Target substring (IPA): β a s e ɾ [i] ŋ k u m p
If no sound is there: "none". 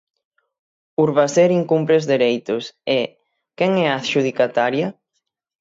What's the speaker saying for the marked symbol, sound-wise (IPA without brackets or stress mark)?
i